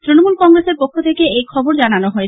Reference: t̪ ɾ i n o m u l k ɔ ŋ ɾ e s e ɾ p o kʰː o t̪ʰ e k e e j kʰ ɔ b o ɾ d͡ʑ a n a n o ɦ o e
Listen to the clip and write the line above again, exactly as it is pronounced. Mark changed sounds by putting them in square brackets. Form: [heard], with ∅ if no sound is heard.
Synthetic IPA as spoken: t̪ ɾ i n o m u l k ɔ ŋ ɾ e s e ɾ p o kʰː o t̪ʰ e k e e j kʰ ɔ b o ɾ d͡ʑ a n a n o ɦ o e